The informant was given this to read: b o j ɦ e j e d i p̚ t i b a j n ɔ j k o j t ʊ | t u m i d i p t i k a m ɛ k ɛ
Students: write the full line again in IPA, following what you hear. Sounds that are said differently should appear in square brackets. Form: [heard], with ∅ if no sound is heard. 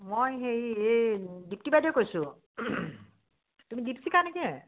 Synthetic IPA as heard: [m] o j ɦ e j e d i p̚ t i b a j [d] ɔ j k o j [s] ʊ | t u m i d i p [s] i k a [n] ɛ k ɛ